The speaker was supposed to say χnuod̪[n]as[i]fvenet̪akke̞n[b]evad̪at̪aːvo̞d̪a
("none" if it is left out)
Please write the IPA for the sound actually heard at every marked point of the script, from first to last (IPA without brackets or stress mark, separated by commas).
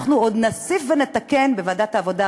n, i, b